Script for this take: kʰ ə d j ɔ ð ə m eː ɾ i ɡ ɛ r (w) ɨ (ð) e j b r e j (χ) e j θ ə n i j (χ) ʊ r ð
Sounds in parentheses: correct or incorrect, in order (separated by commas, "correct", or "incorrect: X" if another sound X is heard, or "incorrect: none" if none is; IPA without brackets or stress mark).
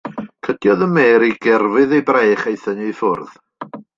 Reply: incorrect: v, correct, correct, incorrect: f